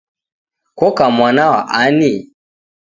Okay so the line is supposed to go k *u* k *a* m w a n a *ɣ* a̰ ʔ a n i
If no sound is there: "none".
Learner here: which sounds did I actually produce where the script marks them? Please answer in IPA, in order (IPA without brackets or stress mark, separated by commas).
ɔ, a, w